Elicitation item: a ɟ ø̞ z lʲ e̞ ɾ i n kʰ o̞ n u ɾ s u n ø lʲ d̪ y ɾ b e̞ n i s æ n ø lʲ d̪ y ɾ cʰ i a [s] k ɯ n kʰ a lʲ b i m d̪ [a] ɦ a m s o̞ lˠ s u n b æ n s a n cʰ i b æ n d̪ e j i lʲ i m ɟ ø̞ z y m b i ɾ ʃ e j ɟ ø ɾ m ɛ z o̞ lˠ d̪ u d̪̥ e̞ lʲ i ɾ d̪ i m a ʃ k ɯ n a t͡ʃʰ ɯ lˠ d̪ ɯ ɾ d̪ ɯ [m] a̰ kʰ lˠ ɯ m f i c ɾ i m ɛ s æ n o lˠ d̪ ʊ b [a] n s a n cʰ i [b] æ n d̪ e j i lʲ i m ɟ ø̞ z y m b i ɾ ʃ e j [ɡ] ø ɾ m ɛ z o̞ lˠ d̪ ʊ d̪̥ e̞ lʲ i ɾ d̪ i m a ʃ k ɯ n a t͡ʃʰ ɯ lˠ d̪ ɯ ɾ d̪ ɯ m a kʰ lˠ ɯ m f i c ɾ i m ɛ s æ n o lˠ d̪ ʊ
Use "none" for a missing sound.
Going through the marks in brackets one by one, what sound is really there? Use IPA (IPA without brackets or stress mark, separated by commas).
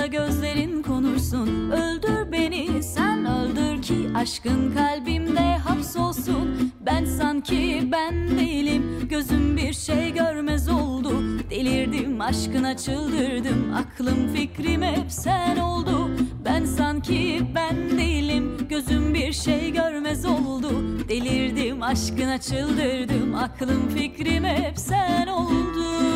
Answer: ʃ, ɛ, m, æ, b, ɟ